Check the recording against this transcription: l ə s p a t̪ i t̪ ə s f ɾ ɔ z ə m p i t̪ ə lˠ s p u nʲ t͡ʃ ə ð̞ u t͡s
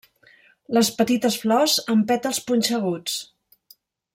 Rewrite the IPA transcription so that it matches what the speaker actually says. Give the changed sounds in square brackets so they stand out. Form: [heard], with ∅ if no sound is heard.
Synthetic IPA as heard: l ə s p [ə] t̪ i t̪ ə s f [l] ɔ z ə m p [ɛ] t̪ ə lˠ s p u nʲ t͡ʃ ə [ɣ̞] u t͡s

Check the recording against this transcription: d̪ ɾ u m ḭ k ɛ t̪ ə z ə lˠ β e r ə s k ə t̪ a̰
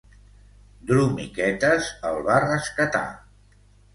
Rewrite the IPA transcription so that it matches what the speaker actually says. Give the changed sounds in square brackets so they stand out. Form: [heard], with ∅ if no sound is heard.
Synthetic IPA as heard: d̪ ɾ u m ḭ k ɛ t̪ ə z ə lˠ β [a] r ə s k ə t̪ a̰

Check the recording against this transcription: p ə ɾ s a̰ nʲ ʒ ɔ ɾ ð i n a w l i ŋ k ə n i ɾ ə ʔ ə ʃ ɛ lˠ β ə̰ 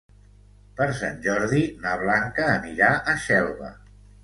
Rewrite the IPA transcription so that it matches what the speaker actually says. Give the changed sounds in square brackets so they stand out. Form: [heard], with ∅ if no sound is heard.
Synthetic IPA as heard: p ə ɾ s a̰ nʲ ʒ ɔ ɾ ð i n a [β] l [a] ŋ k [əː] n i ɾ [a] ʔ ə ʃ ɛ lˠ β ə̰

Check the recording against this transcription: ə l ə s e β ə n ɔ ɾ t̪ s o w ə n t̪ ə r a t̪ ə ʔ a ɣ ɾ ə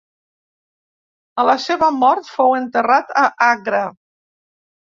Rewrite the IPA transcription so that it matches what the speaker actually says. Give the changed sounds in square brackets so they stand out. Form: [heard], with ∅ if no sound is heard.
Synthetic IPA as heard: ə l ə s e β ə [m] ɔ ɾ t̪ [f] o w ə n t̪ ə r a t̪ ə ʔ a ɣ ɾ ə

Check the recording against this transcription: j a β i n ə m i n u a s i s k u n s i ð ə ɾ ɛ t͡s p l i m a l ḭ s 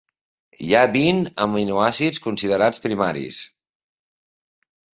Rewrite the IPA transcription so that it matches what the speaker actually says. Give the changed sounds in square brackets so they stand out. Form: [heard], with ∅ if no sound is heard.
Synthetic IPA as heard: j a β i n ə m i n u a s i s k u n s i ð ə ɾ [a] t͡s p [ɾ] i m a [ɾ] ḭ s

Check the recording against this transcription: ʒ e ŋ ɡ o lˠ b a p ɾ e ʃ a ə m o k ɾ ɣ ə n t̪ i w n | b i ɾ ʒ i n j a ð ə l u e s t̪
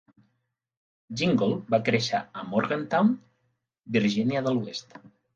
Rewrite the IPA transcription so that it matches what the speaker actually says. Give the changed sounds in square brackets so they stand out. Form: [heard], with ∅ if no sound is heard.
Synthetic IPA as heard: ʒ [i] ŋ ɡ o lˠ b a [k] ɾ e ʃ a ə m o [∅] ɾ ɣ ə n t̪ [a] w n | b i ɾ ʒ i n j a ð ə l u e s t̪

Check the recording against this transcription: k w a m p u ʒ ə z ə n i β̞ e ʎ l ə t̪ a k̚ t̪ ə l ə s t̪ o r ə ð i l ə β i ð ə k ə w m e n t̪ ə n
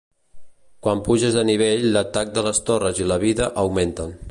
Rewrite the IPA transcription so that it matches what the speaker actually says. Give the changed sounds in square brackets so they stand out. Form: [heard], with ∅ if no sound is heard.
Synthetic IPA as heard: k w a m p u ʒ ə z ə n i β̞ e ʎ l ə t̪ a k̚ [d̪] ə l ə s t̪ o r ə [z] i l ə β i ð ə [ʔ] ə w m e n t̪ ə n

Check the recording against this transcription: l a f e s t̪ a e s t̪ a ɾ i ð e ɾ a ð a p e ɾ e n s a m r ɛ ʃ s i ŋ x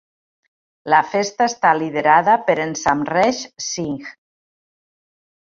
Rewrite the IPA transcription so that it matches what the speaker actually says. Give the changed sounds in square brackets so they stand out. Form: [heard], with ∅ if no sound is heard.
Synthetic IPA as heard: l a f e s t̪ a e s t̪ a [l] i ð e ɾ a ð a p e ɾ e n s a m r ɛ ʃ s i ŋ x

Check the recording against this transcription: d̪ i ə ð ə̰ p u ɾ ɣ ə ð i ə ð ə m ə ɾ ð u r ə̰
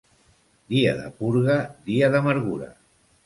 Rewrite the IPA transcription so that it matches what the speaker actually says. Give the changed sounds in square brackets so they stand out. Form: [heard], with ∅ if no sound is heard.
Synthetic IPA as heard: d̪ i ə ð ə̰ p u ɾ ɣ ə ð i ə ð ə m ə ɾ [ɣ] u [ɾ] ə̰

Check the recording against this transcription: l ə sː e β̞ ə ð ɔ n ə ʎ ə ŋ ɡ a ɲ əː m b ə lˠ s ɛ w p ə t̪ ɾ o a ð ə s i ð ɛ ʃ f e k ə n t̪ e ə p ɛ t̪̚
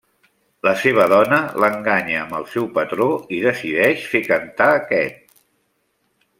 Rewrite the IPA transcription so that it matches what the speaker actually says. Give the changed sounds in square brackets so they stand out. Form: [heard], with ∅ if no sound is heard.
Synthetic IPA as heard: l ə [s] e β̞ ə ð ɔ n ə [l] ə ŋ ɡ a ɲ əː m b ə lˠ s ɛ w p ə t̪ ɾ o [i] ð ə s i ð ɛ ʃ f e k ə n t̪ [a] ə [k] ɛ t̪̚

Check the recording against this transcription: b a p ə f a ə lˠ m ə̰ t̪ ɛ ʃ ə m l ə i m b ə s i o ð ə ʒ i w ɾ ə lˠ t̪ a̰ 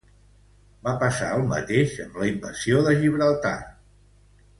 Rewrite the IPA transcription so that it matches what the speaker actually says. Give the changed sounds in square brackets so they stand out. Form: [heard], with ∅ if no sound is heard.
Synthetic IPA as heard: b a p ə [s] a ə lˠ m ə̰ t̪ [e] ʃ ə m l ə i m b ə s i o ð ə ʒ i [β] ɾ ə lˠ t̪ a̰

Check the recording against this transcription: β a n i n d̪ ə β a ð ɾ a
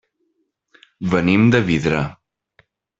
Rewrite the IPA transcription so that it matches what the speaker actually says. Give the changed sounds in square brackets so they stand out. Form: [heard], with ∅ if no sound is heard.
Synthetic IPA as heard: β [ə] n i [m] d̪ ə β [i] ð ɾ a

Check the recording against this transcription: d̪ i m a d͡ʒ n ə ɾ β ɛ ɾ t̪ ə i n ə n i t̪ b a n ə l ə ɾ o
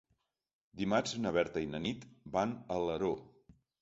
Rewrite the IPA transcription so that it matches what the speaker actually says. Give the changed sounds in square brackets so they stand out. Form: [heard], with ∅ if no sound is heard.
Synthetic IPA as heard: d̪ i m a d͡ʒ n ə [∅] β ɛ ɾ t̪ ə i n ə n i t̪ b a n ə l ə ɾ o

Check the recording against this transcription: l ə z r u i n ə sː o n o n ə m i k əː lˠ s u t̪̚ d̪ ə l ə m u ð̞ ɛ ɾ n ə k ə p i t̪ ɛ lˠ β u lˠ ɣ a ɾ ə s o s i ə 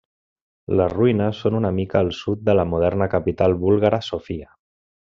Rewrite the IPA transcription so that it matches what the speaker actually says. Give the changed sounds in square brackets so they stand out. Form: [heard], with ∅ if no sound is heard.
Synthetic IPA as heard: l ə z r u i n ə sː o n [u] n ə m i k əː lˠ s u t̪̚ d̪ ə l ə m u ð̞ ɛ ɾ n ə k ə p i t̪ [a] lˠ β u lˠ ɣ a ɾ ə s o [f] i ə

